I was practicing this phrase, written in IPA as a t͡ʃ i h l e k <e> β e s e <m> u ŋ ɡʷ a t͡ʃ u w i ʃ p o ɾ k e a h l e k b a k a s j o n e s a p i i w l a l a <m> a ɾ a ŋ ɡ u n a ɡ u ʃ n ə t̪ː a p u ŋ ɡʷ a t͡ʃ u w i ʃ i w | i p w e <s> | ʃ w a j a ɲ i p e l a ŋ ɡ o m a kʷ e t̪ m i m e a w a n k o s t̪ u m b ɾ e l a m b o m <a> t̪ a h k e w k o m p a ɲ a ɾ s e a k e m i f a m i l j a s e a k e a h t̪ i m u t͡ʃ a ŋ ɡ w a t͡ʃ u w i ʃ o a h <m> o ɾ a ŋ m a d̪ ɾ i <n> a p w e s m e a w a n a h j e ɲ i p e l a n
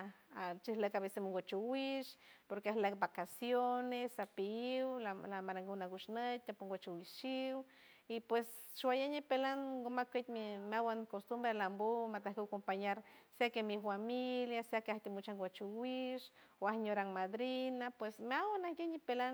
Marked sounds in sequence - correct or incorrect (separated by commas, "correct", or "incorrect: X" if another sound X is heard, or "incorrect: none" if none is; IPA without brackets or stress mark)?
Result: incorrect: a, correct, correct, correct, correct, incorrect: ɲ, correct